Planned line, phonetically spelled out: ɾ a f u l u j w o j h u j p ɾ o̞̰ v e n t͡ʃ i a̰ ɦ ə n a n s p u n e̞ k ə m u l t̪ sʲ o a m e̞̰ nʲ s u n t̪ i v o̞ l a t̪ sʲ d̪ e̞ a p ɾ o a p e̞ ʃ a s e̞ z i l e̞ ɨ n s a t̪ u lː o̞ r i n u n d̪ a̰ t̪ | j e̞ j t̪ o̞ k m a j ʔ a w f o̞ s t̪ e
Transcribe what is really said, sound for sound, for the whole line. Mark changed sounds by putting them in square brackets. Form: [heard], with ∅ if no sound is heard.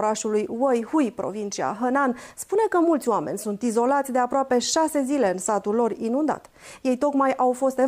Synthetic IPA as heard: ɾ a [ʃ] u l u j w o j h u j p ɾ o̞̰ v [i] n t͡ʃ i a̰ ɦ ə n a n s p u n e̞ k ə m u l t̪ sʲ o a m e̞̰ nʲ s u n t̪ i [z] o̞ l a t̪ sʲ d̪ e̞ a p ɾ o a p e̞ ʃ a s e̞ z i l e̞ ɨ n s a t̪ u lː o̞ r i n u n d̪ a̰ t̪ | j e̞ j t̪ o̞ k m a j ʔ a w f o̞ s t̪ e